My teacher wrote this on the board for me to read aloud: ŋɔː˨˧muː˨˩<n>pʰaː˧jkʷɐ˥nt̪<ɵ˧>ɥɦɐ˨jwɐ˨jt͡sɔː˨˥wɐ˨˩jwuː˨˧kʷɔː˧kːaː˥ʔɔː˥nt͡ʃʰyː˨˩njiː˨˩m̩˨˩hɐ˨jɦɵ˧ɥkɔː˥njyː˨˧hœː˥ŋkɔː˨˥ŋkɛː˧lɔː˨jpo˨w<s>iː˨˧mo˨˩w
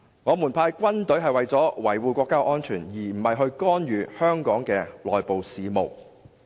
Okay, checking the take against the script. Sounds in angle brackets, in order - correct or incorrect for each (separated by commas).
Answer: correct, incorrect, correct